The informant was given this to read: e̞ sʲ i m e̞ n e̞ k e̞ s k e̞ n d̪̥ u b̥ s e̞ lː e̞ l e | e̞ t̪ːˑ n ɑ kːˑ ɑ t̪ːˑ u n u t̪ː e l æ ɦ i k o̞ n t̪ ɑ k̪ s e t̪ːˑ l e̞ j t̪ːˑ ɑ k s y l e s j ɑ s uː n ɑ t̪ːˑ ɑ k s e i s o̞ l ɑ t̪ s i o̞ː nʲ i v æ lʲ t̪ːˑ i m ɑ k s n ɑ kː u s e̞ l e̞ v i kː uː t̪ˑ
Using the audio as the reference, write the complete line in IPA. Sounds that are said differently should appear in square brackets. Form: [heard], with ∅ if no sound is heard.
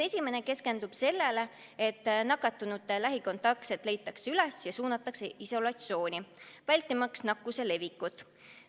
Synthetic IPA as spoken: e̞ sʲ i m e̞ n e̞ k e̞ s k e̞ n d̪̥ u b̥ s e̞ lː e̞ l e | e̞ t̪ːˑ n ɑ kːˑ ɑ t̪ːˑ u n u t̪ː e l æ ɦ i k o̞ n t̪ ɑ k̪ s e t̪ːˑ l e̞ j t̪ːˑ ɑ k s y l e s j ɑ s uː n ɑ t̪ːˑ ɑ k s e i s o̞ l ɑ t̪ s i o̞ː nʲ i v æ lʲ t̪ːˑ i m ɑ k s n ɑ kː u s e̞ l e̞ v i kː [u] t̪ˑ

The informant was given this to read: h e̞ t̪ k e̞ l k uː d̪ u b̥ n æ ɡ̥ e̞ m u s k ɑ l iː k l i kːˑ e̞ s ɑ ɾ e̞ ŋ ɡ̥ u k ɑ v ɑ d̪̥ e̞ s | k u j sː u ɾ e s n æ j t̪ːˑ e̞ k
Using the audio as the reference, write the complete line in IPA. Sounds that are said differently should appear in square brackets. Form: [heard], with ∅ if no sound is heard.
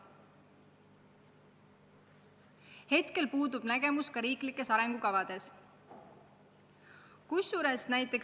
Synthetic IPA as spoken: h e̞ t̪ k e̞ l [p] uː d̪ u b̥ n æ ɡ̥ e̞ m u s k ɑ [ɾ] iː k l i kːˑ e̞ s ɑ ɾ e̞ ŋ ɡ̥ u k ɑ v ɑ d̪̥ e̞ s | k u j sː u ɾ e s n æ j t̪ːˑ e̞ k

